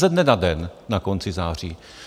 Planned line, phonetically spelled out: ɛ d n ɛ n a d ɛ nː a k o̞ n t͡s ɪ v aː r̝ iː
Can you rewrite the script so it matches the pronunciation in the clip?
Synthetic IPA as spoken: ɛ d n ɛ n a d ɛ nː a k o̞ n t͡s ɪ z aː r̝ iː